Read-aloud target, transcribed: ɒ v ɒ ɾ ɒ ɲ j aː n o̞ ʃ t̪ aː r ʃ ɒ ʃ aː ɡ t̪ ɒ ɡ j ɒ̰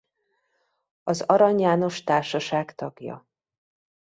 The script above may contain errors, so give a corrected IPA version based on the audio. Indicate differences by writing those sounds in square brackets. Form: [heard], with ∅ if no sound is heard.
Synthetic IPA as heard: ɒ [z] ɒ ɾ ɒ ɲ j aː n o̞ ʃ t̪ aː r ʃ ɒ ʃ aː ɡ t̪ ɒ ɡ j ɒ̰